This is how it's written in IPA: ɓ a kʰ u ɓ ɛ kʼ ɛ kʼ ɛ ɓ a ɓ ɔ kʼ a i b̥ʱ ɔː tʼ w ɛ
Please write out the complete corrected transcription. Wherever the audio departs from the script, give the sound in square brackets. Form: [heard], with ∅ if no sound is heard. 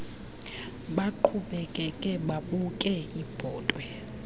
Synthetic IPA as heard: ɓ a [ǃʰ] u ɓ ɛ kʼ ɛ kʼ ɛ ɓ a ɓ [u] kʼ [ɛ] i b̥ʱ ɔː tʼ w ɛ

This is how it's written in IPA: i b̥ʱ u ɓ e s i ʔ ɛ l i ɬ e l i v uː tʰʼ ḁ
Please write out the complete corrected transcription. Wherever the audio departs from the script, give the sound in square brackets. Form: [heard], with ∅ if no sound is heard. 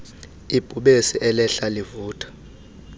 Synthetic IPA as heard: i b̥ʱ u ɓ e s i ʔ ɛ l [ɛ] ɬ [a] l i v uː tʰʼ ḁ

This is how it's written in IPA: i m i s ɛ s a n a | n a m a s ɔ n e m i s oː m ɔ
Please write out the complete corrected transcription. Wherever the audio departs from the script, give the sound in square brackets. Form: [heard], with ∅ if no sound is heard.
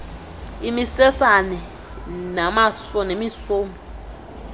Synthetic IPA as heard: i m i s ɛ s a n [ɛ] | n a m a s ɔ n e m i s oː m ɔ

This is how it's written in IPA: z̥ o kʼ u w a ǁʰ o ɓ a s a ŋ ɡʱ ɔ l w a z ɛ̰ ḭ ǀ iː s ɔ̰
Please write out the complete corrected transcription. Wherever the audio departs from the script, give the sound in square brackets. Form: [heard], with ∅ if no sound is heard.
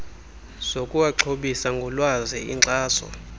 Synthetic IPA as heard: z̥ o kʼ u w a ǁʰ o ɓ [i] s a ŋ ɡʱ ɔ l w a z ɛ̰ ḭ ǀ [aː] s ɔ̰

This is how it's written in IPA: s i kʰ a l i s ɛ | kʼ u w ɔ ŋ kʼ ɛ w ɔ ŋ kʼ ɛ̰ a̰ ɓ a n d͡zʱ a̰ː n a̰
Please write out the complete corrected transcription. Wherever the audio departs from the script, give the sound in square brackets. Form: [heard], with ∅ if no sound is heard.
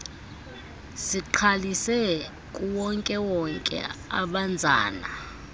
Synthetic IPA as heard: s i [ǃʰ] a l i s ɛ | kʼ u w ɔ ŋ kʼ ɛ w ɔ ŋ kʼ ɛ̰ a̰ ɓ a n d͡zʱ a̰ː n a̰

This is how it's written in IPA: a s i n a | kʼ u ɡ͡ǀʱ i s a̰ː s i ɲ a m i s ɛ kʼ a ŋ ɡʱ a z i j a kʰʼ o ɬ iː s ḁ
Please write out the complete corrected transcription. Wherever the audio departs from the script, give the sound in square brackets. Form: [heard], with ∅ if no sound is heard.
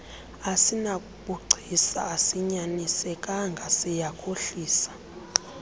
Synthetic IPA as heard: a s i n a | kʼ u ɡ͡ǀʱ i s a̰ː s i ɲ a [n] i s ɛ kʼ a ŋ ɡʱ a [s] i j a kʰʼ o ɬ iː s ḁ

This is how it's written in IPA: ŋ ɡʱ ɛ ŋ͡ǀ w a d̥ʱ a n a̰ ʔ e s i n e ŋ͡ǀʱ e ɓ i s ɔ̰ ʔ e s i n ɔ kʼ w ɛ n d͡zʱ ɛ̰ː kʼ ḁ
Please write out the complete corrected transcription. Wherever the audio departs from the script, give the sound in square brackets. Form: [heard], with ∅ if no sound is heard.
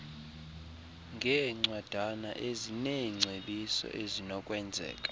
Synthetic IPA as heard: ŋ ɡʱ ɛ ŋ͡ǀ w a d̥ʱ a n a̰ ʔ e [z] i n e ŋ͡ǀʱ e ɓ i s ɔ̰ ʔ e [z] i n ɔ kʼ w ɛ n d͡zʱ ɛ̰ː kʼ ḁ

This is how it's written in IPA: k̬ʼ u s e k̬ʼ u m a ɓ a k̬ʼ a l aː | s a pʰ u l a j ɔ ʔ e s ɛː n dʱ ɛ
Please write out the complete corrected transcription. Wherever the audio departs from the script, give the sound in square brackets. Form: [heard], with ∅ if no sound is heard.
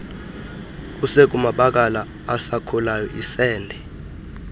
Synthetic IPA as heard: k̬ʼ u s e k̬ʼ u m a ɓ a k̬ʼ a l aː | s a [kʰ] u l a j ɔ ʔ [i] s ɛː n dʱ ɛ

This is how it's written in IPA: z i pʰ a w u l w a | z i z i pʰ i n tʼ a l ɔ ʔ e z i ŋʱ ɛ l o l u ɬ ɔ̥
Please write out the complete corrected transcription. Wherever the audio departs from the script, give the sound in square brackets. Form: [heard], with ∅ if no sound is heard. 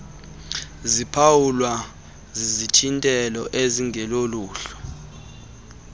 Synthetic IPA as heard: z i pʰ a w u l w a | z i z i [tʰ] i n tʼ [ɛ] l ɔ ʔ e z i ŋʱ ɛ l o l [uː] ɬ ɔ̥

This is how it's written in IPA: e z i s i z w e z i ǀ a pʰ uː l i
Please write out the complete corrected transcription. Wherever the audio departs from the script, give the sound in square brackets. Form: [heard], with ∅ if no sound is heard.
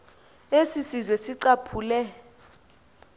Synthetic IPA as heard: e [s] i s i z w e [s] i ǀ a pʰ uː l [ɛ]

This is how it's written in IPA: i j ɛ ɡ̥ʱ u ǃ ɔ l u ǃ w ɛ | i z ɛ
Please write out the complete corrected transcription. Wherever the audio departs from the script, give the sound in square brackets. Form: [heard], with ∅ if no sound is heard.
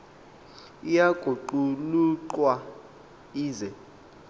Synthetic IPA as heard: i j [a] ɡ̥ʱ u ǃ [u] l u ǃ w [a] | [iː] z ɛ

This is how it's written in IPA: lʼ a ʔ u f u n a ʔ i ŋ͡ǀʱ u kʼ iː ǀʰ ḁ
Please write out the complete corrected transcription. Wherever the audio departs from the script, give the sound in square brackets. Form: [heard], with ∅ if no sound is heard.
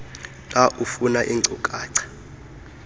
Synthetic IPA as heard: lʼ a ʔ u f u n a ʔ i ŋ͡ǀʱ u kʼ [aː] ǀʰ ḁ

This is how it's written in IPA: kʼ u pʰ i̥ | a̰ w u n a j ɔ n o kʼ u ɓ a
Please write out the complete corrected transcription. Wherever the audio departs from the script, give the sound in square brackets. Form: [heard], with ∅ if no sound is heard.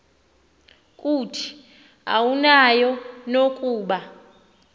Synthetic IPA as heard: kʼ u [tʰ] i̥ | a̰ w u n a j ɔ n o kʼ [uː] ɓ a

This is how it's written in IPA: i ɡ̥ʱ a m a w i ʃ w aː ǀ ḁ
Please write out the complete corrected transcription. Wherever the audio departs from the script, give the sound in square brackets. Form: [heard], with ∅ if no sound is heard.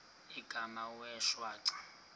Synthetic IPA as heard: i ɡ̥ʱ a m a w [ɛ] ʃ w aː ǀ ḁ

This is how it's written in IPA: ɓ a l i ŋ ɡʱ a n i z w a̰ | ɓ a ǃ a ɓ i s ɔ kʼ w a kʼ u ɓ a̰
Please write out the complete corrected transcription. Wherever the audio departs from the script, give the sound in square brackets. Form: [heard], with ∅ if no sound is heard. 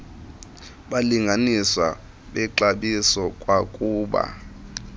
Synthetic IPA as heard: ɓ a l i ŋ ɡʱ a n i [s] w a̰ | ɓ [ɛ] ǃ a ɓ i s ɔ kʼ w a kʼ [uː] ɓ a̰

